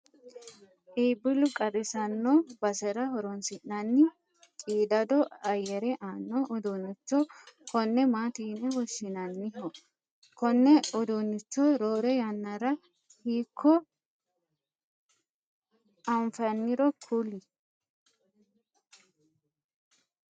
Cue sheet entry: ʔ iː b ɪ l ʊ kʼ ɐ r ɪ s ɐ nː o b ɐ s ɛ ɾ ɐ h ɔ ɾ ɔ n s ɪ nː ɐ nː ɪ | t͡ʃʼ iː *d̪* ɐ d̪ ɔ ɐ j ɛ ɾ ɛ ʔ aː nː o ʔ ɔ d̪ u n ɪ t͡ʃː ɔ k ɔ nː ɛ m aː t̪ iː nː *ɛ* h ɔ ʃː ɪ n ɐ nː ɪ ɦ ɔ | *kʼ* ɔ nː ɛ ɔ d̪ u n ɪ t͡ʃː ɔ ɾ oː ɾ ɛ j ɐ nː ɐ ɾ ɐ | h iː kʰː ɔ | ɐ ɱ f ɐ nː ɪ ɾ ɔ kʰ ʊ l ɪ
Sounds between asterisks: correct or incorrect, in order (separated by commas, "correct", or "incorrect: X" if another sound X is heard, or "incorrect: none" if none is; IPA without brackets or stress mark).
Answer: correct, correct, incorrect: k